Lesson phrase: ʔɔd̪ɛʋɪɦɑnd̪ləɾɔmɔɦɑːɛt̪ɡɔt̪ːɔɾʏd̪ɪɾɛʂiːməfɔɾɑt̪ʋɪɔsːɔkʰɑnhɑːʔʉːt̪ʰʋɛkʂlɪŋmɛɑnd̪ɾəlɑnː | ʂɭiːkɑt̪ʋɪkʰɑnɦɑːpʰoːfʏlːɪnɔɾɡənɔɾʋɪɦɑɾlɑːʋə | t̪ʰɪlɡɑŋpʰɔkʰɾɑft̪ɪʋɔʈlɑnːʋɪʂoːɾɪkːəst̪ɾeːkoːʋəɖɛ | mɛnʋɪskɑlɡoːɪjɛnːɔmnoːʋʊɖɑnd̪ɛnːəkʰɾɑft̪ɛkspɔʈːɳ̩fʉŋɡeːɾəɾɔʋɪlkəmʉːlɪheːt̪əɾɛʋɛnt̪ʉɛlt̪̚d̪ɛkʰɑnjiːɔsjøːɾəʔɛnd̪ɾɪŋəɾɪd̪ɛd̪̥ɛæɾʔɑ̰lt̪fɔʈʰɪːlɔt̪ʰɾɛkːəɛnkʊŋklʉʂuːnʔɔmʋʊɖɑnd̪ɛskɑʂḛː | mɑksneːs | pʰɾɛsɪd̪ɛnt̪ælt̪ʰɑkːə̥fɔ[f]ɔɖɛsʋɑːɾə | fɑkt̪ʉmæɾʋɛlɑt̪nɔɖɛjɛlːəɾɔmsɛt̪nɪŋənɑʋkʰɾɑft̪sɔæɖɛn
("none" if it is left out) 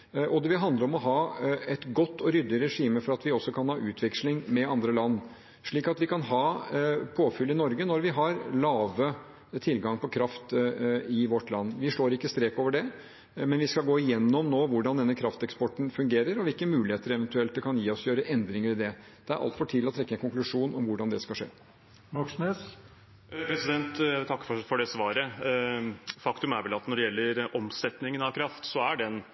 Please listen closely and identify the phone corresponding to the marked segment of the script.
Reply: f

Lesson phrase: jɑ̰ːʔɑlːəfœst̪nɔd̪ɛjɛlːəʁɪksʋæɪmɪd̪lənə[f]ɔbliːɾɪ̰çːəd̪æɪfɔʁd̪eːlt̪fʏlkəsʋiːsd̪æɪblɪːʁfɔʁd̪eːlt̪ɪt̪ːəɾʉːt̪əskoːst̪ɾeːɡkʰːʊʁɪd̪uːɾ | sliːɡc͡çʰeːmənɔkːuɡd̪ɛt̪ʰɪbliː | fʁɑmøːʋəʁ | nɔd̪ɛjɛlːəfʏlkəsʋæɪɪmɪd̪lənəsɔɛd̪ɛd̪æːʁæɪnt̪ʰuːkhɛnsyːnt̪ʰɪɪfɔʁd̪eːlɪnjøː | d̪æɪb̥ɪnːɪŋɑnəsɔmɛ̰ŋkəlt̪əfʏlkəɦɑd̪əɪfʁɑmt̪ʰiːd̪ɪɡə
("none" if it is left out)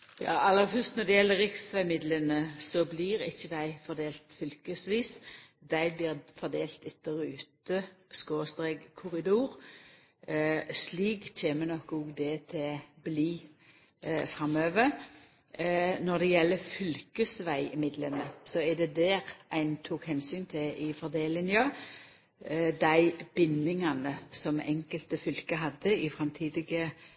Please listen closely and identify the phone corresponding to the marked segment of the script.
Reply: s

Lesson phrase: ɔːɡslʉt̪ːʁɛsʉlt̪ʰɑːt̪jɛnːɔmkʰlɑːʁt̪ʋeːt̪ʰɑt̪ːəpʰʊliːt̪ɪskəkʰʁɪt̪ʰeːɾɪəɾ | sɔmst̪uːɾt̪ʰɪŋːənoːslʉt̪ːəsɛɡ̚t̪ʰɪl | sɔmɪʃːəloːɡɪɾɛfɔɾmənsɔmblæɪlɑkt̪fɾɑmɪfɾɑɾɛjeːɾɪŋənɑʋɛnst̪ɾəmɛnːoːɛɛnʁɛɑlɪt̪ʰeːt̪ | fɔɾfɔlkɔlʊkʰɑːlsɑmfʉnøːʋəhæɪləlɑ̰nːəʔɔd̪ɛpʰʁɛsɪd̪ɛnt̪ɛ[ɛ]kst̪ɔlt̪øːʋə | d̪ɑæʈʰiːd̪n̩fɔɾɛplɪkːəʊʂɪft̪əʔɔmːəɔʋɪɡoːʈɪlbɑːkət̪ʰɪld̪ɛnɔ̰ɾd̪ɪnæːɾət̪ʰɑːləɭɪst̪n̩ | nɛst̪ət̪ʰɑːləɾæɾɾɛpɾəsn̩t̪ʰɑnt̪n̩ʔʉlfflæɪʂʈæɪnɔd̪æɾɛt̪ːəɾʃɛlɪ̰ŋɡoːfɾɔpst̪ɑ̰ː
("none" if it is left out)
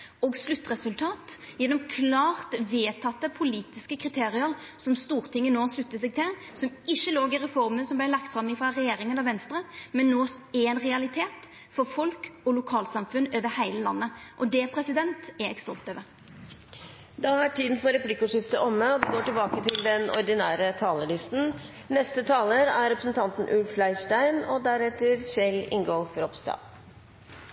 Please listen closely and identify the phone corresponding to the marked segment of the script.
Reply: ɛ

